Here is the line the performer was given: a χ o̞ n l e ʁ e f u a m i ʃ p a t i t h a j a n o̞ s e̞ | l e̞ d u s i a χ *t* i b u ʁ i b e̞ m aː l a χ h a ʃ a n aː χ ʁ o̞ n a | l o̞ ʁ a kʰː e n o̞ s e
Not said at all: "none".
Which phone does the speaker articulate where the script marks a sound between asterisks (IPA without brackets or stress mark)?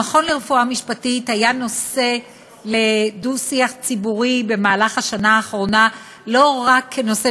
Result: t͡s